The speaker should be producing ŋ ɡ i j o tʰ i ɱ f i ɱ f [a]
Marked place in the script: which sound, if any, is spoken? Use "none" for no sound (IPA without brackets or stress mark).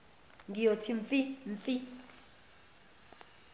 i